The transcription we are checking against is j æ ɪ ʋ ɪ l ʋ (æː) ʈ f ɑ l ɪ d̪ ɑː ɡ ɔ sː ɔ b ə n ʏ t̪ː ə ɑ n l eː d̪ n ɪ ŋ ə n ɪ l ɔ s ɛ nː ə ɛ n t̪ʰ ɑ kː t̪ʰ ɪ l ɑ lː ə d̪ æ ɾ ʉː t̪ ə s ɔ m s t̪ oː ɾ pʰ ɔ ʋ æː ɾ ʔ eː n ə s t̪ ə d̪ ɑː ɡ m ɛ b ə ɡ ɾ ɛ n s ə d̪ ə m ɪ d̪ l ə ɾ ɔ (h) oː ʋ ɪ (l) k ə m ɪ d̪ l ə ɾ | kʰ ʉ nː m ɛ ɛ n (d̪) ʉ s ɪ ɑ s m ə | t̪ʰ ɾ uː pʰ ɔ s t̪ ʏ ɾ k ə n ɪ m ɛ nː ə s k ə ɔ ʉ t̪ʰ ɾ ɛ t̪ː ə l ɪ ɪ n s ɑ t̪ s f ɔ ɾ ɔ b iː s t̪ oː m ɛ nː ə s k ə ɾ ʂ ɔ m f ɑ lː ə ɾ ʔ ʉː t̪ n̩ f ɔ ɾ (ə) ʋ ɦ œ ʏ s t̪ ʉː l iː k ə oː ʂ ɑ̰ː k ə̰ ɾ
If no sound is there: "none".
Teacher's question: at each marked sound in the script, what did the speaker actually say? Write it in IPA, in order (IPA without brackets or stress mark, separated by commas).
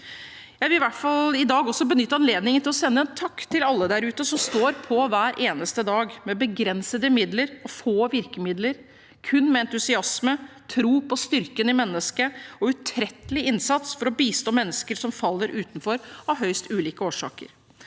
æ, f, ɾ, t̪, ɑ